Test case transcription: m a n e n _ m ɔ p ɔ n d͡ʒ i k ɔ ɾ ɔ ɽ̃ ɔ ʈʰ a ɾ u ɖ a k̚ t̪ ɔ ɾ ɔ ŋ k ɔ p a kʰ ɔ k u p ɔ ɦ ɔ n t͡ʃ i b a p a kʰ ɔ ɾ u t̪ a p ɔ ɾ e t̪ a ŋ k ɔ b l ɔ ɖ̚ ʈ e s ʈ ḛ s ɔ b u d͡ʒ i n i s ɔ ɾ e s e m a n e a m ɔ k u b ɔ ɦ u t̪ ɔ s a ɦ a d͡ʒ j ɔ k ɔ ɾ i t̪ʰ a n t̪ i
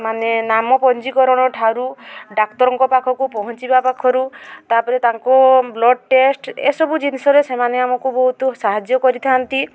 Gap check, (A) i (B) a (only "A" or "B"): B